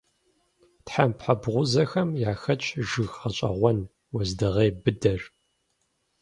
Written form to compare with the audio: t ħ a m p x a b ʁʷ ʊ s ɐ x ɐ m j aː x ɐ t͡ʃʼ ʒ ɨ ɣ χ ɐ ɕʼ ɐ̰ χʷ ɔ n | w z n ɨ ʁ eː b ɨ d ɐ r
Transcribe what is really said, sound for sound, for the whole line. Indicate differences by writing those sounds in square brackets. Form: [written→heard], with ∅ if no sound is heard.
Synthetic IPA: t ħ a m p [x→ħ] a b ʁʷ ʊ [s→z] ɐ x ɐ m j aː x ɐ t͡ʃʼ ʒ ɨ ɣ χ ɐ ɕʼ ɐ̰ [χʷ→ʁʷ] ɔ n | w z [n→d] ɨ ʁ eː b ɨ d ɐ r